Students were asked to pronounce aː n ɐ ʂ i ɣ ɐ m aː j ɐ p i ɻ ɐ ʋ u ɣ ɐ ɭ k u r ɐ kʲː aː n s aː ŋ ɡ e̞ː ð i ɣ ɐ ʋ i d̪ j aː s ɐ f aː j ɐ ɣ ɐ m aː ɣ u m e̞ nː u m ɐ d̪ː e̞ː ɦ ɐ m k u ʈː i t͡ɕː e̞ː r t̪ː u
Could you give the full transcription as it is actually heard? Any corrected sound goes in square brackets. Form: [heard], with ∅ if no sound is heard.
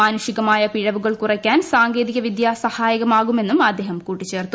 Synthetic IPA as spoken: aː n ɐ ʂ i ɣ ɐ m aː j ɐ p i ɻ ɐ ʋ u ɣ ɐ ɭ k u r ɐ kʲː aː n s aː ŋ ɡ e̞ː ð i ɣ ɐ ʋ i d̪ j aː s ɐ [h] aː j ɐ ɣ ɐ m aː ɣ u m e̞ nː u m ɐ d̪ː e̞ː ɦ ɐ m k [uː] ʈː i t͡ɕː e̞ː r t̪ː u